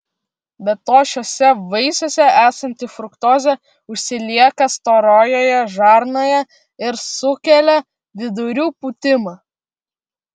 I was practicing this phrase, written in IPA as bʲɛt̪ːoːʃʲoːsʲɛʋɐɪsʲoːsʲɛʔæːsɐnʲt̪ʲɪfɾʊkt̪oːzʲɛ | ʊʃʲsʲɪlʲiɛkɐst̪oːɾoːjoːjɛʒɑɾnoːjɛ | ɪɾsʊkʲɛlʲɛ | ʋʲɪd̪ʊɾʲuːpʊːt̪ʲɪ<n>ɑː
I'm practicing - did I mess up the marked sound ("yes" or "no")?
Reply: yes